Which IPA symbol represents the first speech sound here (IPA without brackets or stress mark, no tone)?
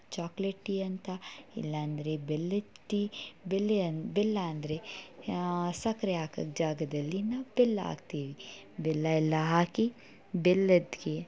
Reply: t͡ʃ